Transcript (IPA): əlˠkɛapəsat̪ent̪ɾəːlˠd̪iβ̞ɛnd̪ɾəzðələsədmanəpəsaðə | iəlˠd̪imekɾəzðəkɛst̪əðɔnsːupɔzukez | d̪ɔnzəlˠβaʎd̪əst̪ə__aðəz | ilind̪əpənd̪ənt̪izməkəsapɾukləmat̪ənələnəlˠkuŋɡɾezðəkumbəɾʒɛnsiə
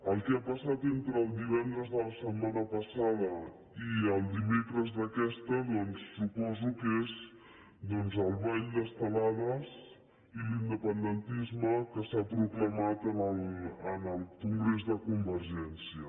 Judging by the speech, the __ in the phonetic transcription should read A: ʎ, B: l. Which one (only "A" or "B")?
B